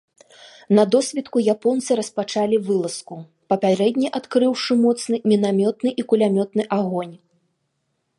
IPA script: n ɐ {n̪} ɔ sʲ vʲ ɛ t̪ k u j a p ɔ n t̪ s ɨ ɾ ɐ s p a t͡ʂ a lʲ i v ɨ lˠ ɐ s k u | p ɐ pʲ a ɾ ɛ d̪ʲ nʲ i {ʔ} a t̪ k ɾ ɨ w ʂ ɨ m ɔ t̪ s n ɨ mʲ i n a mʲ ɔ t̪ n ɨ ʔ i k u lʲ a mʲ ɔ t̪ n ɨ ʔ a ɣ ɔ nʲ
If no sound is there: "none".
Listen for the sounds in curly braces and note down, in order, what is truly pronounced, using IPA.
d̪, ʔ

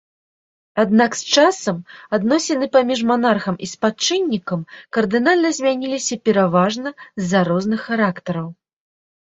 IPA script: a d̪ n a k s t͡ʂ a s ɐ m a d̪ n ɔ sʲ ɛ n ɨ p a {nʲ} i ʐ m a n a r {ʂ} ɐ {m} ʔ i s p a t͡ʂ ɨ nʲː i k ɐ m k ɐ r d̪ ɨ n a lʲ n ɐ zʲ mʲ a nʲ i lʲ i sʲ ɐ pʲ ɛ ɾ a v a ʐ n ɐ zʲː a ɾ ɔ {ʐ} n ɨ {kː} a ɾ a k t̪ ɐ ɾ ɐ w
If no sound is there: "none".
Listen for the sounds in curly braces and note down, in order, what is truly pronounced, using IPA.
mʲ, x, m, z, xː

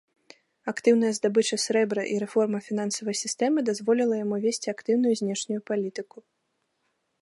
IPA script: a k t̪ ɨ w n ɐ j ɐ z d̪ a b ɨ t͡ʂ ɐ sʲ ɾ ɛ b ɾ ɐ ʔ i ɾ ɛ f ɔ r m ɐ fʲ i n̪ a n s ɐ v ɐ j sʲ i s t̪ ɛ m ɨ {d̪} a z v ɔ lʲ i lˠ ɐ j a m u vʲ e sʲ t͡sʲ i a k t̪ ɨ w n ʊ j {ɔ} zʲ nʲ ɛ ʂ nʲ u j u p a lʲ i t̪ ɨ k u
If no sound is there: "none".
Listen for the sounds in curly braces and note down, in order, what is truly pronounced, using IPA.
d̪, u

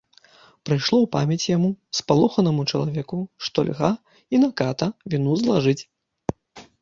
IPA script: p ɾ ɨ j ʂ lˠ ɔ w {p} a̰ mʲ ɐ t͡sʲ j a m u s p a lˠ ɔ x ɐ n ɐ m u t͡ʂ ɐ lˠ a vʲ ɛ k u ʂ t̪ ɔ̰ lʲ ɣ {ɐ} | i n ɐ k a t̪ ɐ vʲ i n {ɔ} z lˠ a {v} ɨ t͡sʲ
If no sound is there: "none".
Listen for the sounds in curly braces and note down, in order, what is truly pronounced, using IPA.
p, a, u, ʐ

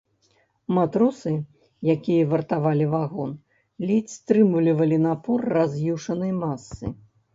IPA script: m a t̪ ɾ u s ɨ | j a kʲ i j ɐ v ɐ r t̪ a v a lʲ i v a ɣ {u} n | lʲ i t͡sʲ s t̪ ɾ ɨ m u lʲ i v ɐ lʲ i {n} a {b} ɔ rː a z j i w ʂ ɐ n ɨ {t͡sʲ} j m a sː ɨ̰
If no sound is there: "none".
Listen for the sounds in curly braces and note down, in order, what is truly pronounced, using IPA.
ɔ, n, p, none

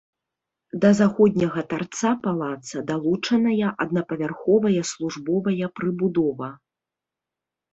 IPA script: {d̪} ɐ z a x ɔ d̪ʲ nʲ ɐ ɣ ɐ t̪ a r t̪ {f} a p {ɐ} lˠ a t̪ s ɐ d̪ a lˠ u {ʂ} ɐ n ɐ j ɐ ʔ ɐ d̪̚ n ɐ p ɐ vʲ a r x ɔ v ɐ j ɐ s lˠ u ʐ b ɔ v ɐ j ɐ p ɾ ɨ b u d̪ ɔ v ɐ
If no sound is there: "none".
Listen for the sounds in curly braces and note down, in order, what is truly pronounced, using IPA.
d̪, s, a, t͡ʂ

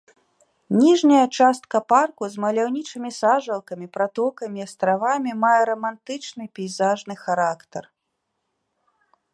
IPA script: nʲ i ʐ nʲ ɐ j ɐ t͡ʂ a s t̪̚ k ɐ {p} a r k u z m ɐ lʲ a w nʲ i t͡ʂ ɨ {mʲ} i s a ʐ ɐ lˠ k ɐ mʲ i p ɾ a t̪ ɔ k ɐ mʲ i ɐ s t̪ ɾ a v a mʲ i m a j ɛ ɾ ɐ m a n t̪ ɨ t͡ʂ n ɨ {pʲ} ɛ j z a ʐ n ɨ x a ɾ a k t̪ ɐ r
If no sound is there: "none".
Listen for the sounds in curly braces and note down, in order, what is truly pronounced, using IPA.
p, mʲ, pʲ

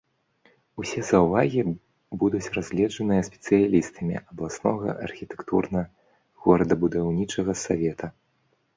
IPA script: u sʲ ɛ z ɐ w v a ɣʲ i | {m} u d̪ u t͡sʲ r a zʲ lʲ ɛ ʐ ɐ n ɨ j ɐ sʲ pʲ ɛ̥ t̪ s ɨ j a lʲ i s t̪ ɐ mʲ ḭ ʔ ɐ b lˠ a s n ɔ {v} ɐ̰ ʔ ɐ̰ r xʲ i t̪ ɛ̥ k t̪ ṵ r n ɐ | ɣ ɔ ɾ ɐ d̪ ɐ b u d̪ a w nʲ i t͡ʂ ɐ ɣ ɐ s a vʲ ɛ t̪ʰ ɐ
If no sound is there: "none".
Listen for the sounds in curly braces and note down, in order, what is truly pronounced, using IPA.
b, ɣ

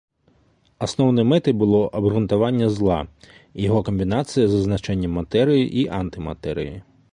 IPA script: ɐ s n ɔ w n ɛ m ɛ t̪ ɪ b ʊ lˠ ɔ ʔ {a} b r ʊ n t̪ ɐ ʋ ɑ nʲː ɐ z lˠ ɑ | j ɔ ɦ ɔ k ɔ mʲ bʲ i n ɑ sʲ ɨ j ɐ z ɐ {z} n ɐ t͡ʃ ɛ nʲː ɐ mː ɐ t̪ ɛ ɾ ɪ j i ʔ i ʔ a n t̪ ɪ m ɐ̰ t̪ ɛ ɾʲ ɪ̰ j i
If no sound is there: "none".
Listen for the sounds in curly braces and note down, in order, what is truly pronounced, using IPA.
ɐ, z

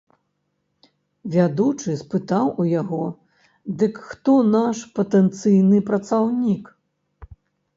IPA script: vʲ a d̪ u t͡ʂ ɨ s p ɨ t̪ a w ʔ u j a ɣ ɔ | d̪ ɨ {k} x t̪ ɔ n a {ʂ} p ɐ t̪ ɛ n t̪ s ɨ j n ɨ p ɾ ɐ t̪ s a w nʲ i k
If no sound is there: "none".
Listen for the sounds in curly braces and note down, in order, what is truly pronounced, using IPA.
k, ʂ

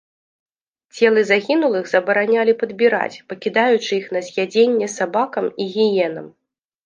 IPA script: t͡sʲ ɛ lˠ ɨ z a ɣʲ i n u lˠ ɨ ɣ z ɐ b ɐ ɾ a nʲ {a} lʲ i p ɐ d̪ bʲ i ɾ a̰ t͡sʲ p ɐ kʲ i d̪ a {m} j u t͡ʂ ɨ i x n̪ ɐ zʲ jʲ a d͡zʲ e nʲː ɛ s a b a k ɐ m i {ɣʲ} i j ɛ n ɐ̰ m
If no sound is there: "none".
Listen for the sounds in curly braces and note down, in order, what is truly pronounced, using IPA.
a, none, ɣʲ

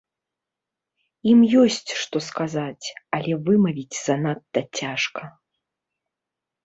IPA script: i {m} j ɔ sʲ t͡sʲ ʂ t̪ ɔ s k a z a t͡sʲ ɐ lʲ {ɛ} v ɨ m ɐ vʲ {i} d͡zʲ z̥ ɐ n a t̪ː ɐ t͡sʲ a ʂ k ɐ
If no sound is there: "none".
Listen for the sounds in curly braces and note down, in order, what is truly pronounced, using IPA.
m, ɛ, i

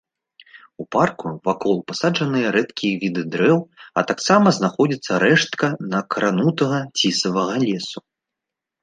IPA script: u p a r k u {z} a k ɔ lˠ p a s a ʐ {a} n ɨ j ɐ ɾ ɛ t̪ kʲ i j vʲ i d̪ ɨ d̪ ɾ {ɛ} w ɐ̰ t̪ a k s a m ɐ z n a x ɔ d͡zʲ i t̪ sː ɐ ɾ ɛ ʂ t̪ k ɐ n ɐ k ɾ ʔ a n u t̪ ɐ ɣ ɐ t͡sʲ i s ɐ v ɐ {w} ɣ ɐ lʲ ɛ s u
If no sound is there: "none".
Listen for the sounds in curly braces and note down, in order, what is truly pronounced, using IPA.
v, ɐ, ɛ, none

